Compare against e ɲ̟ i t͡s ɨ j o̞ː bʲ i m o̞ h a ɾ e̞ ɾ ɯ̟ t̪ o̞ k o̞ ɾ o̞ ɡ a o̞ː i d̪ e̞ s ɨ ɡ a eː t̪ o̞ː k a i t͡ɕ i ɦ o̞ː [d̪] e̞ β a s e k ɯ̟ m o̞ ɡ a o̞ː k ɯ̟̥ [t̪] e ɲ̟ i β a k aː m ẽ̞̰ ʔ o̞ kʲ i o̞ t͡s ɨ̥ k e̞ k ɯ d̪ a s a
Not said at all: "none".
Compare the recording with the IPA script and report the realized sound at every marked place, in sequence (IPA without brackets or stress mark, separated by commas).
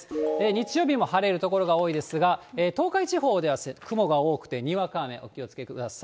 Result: d̪, t̪